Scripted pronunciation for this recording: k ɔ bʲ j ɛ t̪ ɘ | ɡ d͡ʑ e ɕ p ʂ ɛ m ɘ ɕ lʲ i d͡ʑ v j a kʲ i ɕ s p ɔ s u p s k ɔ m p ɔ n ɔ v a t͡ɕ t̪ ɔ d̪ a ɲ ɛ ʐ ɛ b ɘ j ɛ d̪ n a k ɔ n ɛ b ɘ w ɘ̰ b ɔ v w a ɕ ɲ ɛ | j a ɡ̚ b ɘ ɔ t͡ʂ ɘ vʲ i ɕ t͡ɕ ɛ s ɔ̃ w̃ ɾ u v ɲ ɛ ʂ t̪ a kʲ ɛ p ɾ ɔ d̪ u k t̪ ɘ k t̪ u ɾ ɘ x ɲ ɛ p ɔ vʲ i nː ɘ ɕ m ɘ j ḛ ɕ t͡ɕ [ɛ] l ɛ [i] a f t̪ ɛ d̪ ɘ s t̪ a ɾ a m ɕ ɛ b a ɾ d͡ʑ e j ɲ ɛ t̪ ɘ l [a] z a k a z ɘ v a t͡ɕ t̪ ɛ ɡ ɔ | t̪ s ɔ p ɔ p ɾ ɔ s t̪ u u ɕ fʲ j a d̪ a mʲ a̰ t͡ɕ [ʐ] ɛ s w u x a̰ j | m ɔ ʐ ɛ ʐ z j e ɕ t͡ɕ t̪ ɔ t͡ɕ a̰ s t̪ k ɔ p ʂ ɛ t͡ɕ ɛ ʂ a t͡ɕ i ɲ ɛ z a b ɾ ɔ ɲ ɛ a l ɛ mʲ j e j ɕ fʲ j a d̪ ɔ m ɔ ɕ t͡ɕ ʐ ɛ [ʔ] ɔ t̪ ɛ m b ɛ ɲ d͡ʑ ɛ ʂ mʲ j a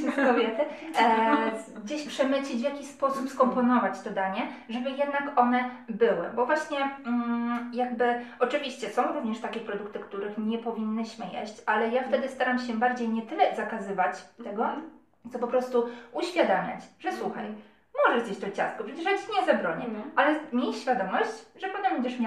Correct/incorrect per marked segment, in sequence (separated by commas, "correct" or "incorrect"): incorrect, incorrect, incorrect, correct, incorrect